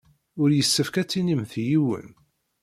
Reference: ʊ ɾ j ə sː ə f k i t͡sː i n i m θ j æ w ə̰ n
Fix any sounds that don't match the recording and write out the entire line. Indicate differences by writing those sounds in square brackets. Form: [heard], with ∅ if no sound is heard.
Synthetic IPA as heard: ʊ ɾ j ə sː ə f k [æ] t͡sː i n i m θ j [i] w ə̰ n

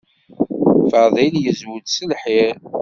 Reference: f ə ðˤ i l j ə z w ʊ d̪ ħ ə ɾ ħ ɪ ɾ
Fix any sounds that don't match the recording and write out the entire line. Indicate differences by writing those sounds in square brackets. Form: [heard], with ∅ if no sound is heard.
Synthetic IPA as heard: f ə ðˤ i l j ə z w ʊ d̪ [s] ə [l] ħ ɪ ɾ

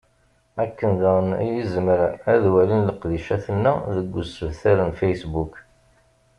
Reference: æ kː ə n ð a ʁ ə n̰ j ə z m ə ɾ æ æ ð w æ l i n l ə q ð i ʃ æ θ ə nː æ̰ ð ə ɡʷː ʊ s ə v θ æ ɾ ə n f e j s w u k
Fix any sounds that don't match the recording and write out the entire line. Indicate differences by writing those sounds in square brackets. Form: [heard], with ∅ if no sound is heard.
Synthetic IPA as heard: æ kː ə n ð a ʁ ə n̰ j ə z m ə ɾ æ æ ð w æ l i n l ə q ð i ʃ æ θ ə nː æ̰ ð ə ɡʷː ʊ s ə v θ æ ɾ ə n f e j s [b] u k

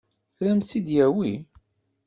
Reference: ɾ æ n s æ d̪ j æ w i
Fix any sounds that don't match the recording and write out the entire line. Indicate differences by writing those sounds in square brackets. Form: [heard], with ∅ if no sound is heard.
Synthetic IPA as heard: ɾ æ [m] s [i] d̪ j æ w i

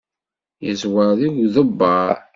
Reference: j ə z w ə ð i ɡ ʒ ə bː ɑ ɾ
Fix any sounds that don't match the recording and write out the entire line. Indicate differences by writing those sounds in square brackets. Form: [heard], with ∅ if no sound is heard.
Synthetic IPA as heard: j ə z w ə ð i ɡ [ð] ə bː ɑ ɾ

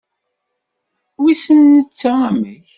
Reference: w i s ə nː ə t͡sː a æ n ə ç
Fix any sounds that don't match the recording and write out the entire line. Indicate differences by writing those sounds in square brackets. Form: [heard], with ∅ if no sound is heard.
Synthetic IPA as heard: w i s ə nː ə t͡sː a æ [m] ə ç

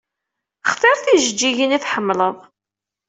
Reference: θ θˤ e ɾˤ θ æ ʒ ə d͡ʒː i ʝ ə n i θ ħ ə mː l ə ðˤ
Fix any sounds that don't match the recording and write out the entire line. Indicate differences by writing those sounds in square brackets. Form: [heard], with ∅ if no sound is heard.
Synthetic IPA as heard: [χ] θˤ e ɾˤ θ [i] ʒ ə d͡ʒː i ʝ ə n i θ ħ ə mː l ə ðˤ

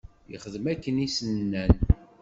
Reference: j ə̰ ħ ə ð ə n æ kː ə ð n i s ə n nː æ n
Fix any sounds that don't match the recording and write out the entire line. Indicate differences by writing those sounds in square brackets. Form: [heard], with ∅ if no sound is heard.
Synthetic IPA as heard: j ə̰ [χ] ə ð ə [m] æ kː ə [∅] n i s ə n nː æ n

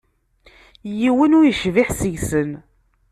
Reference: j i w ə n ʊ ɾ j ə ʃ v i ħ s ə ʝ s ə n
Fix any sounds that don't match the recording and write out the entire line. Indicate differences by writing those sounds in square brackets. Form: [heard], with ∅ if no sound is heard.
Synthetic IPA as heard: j i w ə n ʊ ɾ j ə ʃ v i ħ s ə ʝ s ə n

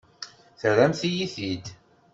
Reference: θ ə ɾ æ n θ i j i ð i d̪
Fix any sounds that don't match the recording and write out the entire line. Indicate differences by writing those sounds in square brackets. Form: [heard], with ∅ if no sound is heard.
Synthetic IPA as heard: θ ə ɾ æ [m] θ i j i [θ] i d̪

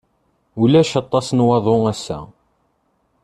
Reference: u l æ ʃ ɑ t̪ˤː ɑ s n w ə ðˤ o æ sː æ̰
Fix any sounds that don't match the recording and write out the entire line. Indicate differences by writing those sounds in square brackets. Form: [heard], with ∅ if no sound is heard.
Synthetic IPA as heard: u l æ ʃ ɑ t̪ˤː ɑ s n w [ɑ] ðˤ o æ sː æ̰

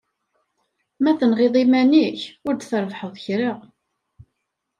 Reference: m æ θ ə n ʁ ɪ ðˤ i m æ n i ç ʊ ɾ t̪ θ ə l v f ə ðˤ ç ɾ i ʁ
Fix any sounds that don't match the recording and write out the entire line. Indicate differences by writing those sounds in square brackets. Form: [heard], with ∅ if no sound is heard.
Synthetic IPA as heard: m æ θ ə n ʁ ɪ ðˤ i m æ n i ç ʊ ɾ [d̪] θ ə [ɾ] v [ħ] ə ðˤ ç ɾ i ʁ

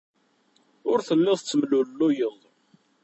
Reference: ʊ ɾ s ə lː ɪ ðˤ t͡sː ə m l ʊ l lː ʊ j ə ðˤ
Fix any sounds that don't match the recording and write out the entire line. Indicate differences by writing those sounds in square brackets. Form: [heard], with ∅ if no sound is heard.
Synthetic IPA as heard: ʊ ɾ [θ] ə lː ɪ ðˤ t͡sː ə m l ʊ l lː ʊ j ə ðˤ

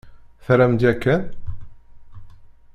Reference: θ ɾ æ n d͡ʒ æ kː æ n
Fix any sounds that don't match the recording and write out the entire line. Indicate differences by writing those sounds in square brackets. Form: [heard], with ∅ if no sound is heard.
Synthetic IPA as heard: θ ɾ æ [m] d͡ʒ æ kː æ n

